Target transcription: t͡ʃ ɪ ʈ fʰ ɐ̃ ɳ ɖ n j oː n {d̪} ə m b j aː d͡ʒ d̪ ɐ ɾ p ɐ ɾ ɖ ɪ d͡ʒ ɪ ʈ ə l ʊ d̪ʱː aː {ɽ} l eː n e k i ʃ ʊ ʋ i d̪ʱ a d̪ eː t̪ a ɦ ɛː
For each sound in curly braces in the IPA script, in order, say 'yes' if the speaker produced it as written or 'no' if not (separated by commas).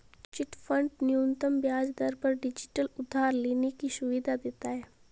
no, no